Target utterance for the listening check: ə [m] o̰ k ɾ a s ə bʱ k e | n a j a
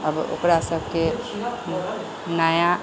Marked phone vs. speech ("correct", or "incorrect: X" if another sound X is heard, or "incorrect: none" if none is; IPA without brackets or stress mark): incorrect: b